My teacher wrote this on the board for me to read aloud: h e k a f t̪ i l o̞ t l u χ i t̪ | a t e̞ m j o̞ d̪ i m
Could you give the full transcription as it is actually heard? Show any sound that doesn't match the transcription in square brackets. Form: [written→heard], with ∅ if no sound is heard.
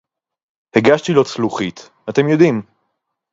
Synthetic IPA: h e [k→ɡ] a [f→ʃ] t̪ i l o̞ [t→t͡s] l u χ i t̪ | a t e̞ m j o̞ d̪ i m